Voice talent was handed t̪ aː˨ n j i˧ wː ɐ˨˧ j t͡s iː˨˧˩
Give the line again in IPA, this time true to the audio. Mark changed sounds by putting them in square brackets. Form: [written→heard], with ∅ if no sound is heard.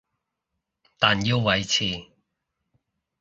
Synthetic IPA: t̪ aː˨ n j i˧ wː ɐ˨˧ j [t͡s→t͡sʰ] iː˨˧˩